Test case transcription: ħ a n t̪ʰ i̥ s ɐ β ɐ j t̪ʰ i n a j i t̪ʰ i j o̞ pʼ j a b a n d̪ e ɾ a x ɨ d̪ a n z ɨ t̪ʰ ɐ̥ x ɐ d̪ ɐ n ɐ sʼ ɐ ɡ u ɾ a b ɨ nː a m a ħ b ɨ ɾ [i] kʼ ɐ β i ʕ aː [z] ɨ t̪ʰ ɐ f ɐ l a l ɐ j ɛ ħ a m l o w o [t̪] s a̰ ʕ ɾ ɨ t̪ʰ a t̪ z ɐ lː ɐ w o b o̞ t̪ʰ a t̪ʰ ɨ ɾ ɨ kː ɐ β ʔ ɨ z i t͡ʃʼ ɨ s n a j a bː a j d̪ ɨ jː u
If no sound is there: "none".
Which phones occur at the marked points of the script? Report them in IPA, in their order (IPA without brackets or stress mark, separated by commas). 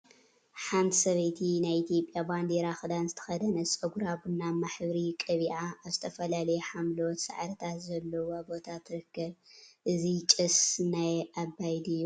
i, z, t̪